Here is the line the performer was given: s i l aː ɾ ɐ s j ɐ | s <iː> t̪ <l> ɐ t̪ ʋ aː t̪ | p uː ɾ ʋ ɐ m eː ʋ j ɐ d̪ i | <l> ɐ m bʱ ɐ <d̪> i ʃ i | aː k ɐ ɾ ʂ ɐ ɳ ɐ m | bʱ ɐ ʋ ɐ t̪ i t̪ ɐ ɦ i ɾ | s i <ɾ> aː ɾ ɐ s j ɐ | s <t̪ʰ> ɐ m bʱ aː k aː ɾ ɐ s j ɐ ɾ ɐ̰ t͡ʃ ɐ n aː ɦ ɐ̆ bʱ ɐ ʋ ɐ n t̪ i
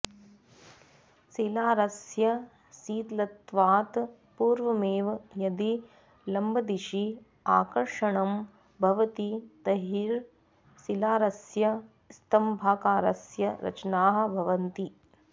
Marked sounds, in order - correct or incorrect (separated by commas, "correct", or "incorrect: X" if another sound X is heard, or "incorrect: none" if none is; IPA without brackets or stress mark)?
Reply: correct, correct, correct, correct, incorrect: l, incorrect: t̪